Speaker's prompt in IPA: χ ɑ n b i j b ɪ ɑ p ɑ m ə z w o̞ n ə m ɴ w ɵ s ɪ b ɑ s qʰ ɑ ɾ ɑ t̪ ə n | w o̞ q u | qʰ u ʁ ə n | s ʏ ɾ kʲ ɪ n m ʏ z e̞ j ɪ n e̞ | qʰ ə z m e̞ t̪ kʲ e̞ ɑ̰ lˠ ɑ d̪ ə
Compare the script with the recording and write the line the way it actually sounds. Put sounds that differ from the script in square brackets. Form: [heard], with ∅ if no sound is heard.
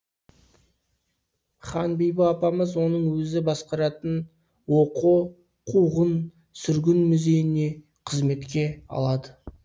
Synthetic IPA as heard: χ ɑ n b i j b ɪ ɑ p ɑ m ə z w o̞ n ə [∅] ɴ w ɵ [z] ɪ b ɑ s [q] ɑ ɾ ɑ t̪ ə n | w o̞ q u | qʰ u ʁ ə n | s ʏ ɾ [ɡʲ] ɪ n m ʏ z e̞ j ɪ n e̞ | qʰ ə z m e̞ t̪ kʲ e̞ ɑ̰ lˠ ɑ d̪ ə